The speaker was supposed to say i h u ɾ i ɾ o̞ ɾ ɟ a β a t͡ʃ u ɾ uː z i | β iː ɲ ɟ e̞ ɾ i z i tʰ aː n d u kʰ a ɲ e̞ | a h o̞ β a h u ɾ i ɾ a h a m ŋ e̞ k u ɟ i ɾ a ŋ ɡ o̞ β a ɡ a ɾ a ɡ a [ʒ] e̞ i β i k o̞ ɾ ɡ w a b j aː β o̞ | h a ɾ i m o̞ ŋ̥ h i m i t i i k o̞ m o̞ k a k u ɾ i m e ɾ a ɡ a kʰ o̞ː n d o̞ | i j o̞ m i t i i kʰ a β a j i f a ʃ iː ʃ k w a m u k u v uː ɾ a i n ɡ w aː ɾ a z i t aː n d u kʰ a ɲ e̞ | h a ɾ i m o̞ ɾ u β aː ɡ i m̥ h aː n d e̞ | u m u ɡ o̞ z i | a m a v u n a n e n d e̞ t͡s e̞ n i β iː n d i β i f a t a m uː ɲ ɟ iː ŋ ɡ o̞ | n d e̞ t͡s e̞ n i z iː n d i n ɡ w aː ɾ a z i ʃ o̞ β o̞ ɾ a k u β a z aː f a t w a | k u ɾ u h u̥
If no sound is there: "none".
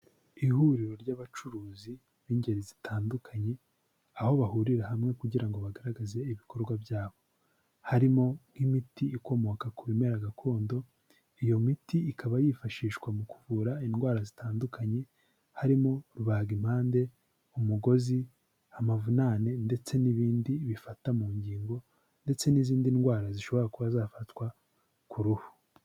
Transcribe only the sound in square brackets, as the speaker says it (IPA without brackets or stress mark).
z